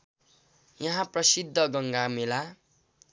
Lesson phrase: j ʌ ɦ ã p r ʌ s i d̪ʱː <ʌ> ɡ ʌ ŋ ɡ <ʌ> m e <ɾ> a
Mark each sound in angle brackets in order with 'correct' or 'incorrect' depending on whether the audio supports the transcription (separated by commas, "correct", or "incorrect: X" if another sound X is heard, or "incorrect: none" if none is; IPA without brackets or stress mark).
correct, incorrect: a, incorrect: l